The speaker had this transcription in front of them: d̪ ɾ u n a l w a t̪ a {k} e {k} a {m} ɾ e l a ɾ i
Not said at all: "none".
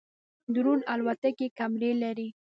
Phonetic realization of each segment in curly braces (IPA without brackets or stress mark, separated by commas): k, k, m